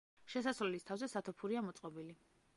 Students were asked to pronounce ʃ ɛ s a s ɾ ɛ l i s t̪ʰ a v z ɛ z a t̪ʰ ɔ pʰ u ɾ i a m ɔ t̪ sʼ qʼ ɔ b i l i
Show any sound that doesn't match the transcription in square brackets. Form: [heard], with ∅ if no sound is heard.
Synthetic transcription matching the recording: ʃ ɛ s a s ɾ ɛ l i s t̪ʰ a v z ɛ [s] a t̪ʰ ɔ pʰ u ɾ i a m ɔ t̪ sʼ qʼ ɔ b i l i

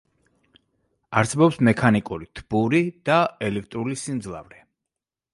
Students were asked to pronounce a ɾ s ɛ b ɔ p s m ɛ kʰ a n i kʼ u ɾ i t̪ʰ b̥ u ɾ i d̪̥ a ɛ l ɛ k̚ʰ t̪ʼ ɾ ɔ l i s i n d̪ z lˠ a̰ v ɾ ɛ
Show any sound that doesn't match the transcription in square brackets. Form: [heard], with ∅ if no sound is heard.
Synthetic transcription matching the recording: a ɾ s ɛ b ɔ p s m ɛ kʰ a n i kʼ u ɾ i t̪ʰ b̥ u ɾ i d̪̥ a ɛ l ɛ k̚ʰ t̪ʼ ɾ [u] l i s i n d̪ z lˠ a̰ v ɾ ɛ

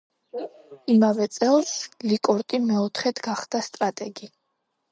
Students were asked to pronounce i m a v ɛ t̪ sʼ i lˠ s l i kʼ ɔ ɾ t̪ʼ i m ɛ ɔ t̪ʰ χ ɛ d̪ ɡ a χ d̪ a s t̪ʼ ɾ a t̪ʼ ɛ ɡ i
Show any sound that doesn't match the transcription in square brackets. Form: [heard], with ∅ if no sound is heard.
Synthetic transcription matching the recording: i m a v ɛ t̪ sʼ [ɛ] lˠ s l i kʼ ɔ ɾ t̪ʼ i m ɛ ɔ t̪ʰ χ ɛ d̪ ɡ a χ d̪ a s t̪ʼ ɾ a t̪ʼ ɛ ɡ i

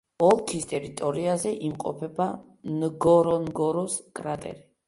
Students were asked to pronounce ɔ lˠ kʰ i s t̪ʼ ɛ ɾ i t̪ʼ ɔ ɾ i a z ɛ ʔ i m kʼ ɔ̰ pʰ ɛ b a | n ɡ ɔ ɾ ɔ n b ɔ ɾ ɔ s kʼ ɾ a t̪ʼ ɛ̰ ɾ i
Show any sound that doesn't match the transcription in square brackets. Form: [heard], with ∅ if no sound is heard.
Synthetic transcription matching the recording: ɔ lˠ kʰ i s t̪ʼ ɛ ɾ i t̪ʼ ɔ ɾ i a z ɛ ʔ i m [qʼ] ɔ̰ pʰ ɛ b a | n ɡ ɔ ɾ ɔ n [ɡ] ɔ ɾ ɔ s kʼ ɾ a t̪ʼ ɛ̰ ɾ i

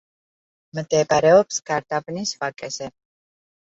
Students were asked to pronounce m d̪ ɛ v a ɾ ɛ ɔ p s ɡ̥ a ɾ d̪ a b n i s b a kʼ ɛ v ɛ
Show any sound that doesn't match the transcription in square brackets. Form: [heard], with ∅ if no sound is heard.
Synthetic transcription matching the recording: m d̪ ɛ [b] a ɾ ɛ ɔ p s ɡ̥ a ɾ d̪ a b n i s [v] a kʼ ɛ [z] ɛ

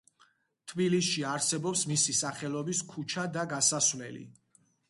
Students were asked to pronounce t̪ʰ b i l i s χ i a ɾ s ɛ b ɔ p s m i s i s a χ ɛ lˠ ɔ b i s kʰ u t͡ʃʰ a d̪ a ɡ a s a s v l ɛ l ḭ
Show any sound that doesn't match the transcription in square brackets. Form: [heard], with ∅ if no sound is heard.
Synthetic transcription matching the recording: t̪ʰ b i l i s [ʃ] i a ɾ s ɛ b ɔ p s m i s i s a χ ɛ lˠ ɔ b i s kʰ u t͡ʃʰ a d̪ a ɡ a s a s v l ɛ l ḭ

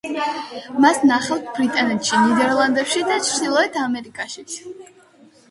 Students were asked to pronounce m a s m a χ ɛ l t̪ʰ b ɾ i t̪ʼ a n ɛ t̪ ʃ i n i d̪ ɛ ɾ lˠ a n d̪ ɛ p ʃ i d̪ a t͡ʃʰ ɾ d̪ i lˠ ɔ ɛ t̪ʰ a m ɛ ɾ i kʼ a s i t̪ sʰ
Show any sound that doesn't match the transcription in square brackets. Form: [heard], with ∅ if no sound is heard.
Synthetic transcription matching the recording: m a s [n] a χ ɛ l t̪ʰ b ɾ i t̪ʼ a n ɛ t̪ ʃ i n i d̪ ɛ ɾ lˠ a n d̪ ɛ p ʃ i d̪ a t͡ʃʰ ɾ d̪ i lˠ ɔ ɛ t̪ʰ a m ɛ ɾ i kʼ a [ʃ] i t̪ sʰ

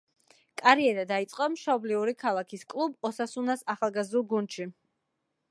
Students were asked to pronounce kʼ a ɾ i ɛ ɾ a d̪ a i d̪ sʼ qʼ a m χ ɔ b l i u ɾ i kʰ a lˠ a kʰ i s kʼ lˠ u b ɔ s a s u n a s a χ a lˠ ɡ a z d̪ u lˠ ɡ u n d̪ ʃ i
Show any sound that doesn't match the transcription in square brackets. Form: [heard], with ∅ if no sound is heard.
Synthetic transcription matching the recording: kʼ a ɾ i ɛ ɾ a d̪ a i [t̪] sʼ qʼ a m [ʃ] ɔ b l i u ɾ i kʰ a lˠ a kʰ i s kʼ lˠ u b ɔ s a s u n a s a χ a lˠ ɡ a z d̪ u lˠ ɡ u n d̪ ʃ i

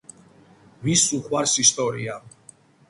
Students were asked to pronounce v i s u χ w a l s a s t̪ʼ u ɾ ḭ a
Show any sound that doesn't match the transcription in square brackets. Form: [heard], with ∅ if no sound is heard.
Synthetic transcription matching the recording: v i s u χ w a [ɾ] s [i] s t̪ʼ [ɔ] ɾ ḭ a

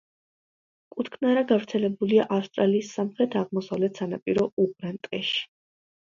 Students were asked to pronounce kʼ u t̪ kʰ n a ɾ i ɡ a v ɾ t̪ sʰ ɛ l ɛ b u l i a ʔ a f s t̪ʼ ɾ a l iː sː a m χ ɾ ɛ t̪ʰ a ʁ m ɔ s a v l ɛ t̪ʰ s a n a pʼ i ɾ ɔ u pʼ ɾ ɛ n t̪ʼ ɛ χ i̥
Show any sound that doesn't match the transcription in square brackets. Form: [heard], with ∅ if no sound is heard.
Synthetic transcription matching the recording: kʼ u t̪ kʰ n a ɾ [a] ɡ a v ɾ t̪ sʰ ɛ l ɛ b u l i a ʔ a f s t̪ʼ ɾ a l iː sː a m χ ɾ ɛ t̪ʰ a ʁ m ɔ s a v l ɛ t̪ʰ s a n a pʼ i ɾ ɔ u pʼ ɾ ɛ n t̪ʼ ɛ [ʃ] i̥

